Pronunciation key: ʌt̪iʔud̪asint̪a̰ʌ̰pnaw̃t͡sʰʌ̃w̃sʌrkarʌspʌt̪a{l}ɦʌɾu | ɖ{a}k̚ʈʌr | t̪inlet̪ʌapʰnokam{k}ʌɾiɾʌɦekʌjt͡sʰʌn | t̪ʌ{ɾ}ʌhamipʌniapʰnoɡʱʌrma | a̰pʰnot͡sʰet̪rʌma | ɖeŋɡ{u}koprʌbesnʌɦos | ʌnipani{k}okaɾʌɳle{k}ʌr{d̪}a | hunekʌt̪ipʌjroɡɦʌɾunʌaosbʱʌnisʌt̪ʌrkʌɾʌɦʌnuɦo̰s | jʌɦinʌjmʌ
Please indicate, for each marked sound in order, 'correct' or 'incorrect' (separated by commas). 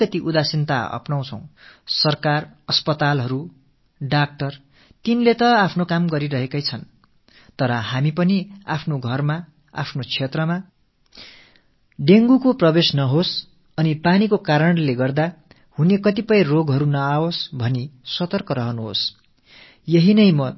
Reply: correct, correct, incorrect, correct, correct, correct, incorrect, correct